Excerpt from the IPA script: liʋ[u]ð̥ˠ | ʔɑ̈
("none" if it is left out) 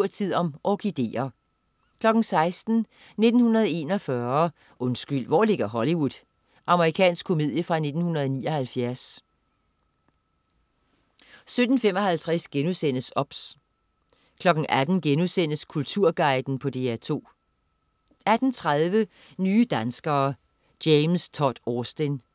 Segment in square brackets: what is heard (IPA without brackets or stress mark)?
u